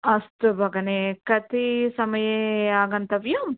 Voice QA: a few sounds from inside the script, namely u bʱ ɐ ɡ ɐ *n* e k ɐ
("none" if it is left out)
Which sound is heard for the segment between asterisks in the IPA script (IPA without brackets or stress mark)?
n